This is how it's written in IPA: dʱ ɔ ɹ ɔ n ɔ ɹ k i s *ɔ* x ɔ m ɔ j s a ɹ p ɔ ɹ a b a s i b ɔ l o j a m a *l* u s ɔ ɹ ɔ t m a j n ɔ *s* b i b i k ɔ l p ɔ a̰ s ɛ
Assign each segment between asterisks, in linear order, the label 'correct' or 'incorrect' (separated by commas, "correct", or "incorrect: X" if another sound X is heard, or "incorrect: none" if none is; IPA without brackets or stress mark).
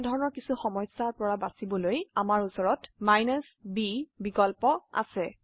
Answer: incorrect: u, incorrect: ɹ, correct